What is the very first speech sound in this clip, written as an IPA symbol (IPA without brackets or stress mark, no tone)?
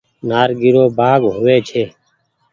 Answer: n